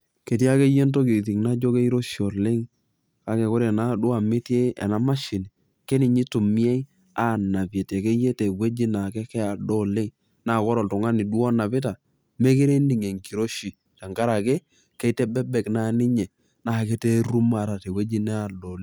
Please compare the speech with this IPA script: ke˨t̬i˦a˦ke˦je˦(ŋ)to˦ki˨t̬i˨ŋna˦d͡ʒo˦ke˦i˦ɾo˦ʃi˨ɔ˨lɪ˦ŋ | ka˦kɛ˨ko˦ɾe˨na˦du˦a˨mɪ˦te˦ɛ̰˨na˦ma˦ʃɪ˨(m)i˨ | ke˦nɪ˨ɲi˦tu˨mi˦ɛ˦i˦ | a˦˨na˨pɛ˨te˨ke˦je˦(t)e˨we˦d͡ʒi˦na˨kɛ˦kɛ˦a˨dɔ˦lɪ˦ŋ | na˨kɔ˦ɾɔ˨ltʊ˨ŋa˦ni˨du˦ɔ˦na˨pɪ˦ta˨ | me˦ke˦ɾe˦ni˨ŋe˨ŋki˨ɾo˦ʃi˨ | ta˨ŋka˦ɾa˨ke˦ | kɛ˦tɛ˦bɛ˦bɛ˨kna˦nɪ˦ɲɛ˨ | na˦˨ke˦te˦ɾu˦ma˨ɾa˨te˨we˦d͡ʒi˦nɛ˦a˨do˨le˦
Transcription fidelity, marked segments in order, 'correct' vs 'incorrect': incorrect, incorrect, correct

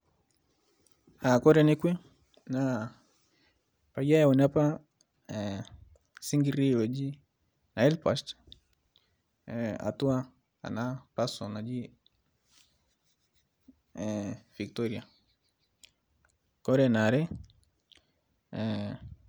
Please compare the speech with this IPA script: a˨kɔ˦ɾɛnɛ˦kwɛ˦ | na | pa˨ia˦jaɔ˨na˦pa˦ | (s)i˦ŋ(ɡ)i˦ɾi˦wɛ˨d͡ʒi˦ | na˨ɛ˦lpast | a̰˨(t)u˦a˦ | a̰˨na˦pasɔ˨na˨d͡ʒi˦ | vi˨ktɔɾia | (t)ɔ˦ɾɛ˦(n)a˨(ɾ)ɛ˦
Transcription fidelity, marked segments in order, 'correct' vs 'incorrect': correct, correct, correct, incorrect, correct, correct

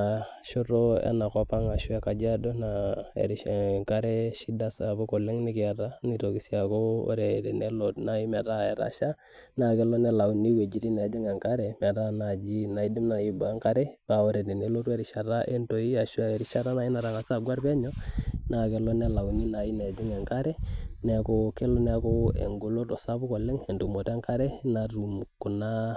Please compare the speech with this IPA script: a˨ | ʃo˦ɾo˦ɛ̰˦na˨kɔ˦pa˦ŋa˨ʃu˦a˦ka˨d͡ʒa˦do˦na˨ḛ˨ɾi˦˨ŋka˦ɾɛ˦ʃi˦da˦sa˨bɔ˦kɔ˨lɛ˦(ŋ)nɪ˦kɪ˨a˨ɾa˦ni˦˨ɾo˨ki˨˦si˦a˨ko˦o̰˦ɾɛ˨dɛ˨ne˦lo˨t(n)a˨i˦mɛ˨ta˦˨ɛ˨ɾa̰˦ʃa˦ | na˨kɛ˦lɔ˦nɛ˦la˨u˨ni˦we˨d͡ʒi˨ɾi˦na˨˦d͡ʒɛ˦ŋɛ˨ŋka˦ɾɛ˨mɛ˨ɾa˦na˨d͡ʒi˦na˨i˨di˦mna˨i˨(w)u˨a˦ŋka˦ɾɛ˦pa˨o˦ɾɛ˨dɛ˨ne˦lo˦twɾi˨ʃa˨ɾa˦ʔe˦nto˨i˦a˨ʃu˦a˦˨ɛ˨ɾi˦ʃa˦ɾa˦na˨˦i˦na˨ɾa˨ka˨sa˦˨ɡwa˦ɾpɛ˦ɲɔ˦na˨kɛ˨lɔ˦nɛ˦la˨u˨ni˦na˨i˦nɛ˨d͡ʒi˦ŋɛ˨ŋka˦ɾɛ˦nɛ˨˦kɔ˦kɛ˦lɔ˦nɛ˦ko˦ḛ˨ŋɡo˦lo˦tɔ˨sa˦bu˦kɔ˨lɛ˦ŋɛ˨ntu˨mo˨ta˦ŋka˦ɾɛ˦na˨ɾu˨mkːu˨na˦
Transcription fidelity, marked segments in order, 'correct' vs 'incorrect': correct, correct, incorrect

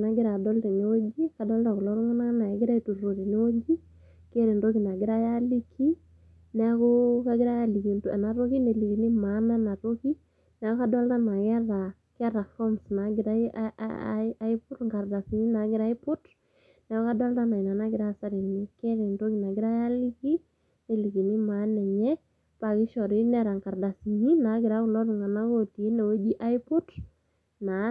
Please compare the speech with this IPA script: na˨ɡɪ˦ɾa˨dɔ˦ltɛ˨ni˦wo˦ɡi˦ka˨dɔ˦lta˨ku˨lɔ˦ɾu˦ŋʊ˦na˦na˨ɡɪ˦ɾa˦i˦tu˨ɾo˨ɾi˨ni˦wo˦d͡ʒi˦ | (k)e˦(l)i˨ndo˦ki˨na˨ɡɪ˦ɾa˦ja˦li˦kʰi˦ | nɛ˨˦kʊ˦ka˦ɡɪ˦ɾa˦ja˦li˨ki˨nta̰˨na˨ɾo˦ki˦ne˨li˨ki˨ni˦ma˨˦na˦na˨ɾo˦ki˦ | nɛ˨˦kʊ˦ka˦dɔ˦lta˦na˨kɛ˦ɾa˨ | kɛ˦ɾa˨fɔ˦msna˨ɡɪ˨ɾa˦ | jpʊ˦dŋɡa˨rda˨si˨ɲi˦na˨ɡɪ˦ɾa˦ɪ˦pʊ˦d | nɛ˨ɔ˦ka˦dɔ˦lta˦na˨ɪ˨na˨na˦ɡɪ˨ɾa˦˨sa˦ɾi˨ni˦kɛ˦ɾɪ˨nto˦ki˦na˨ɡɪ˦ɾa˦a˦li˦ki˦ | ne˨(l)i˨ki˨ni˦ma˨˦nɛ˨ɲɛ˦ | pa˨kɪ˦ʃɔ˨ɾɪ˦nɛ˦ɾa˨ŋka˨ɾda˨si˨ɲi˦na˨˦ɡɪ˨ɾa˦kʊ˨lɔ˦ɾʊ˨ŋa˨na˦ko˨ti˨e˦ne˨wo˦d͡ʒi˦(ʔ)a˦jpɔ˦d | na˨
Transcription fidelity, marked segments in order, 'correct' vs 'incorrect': correct, incorrect, correct, correct

